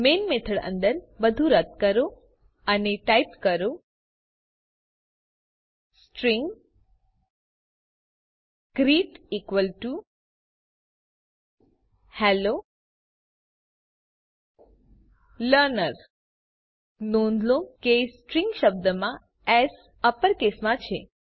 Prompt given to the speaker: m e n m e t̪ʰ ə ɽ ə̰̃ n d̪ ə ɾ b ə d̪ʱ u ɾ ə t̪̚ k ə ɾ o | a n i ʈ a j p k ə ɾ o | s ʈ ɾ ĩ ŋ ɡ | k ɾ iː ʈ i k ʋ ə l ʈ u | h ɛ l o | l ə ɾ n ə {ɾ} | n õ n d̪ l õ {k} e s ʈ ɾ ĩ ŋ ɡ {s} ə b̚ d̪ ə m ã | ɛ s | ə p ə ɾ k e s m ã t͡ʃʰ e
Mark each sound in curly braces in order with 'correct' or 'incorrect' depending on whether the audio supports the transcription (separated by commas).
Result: correct, correct, incorrect